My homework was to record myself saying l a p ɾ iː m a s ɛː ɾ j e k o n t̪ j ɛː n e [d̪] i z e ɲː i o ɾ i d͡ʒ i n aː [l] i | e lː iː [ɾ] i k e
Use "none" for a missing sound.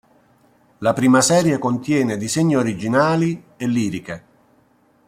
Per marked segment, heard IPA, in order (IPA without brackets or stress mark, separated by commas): d̪, l, ɾ